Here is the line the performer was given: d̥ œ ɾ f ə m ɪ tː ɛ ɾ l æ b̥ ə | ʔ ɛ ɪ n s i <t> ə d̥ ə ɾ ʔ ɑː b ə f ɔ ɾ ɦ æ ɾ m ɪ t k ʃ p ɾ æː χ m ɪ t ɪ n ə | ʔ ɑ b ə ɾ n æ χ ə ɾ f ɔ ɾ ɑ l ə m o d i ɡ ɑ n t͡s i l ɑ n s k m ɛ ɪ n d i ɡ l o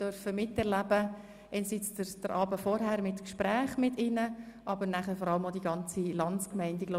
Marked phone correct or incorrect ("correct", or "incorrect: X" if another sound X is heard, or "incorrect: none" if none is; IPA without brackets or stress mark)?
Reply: incorrect: t͡s